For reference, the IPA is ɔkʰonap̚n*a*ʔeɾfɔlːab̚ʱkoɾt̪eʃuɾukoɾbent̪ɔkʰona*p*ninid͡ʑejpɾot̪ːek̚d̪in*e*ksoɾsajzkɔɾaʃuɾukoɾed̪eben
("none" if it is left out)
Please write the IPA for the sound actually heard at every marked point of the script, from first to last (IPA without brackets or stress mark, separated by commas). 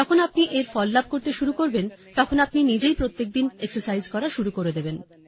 i, p, e